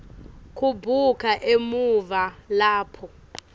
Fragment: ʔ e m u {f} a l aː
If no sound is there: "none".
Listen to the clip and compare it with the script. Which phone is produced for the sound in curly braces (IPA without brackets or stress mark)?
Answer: v